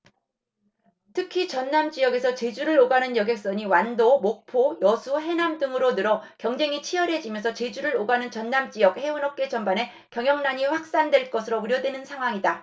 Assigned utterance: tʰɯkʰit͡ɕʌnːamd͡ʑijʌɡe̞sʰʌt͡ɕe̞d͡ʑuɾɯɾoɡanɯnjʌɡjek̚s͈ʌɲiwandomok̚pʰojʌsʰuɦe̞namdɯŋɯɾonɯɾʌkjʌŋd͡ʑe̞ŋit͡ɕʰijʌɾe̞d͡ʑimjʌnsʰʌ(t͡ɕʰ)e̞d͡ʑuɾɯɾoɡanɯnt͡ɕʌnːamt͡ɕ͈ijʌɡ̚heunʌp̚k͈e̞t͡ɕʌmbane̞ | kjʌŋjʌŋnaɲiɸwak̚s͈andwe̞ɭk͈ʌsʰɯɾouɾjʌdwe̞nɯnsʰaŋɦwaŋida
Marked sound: incorrect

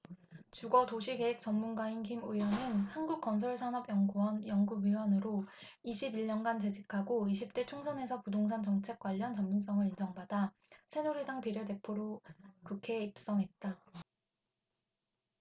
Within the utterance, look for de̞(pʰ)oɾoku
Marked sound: correct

